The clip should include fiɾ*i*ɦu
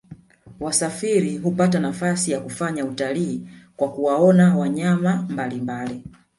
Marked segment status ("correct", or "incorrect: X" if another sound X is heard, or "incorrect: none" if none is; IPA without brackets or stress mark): correct